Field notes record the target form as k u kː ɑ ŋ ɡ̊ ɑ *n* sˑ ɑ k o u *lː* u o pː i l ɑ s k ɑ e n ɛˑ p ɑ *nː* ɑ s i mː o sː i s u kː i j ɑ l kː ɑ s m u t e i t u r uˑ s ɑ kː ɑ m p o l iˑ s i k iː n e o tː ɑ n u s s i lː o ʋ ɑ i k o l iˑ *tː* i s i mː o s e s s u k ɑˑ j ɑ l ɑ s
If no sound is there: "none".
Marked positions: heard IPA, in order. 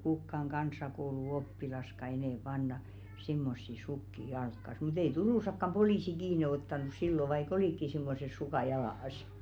n, l, nː, kː

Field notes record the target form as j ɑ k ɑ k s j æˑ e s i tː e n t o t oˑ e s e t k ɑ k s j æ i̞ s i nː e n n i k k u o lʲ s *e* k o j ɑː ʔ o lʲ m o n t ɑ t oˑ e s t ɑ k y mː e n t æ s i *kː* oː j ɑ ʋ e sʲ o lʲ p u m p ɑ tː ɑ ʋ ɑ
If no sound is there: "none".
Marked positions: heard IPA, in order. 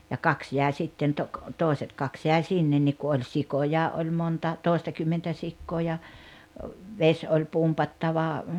i, kː

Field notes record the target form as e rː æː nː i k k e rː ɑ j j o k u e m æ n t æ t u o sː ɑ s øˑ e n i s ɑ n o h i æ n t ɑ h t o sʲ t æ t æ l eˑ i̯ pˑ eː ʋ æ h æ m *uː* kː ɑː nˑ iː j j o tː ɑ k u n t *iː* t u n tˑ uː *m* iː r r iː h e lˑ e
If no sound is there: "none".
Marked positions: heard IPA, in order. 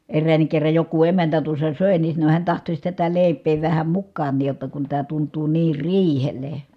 u, æː, n

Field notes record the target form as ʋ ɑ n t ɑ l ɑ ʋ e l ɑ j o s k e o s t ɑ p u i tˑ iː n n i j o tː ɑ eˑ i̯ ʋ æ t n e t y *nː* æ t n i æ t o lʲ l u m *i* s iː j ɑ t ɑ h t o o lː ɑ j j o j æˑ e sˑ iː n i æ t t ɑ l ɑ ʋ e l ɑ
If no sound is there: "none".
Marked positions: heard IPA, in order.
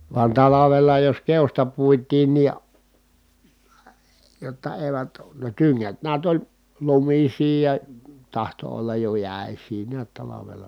ŋː, i

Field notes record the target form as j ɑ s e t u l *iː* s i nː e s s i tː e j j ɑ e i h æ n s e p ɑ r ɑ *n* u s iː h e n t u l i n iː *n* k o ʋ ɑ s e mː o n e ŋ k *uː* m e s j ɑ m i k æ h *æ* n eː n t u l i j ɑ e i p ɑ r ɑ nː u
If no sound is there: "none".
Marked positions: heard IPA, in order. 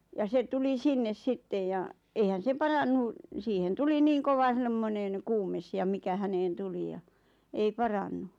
i, nː, ŋ, uː, æ

